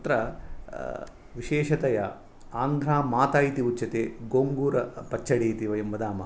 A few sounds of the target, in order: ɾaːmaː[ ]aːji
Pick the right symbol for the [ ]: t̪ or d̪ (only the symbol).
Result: t̪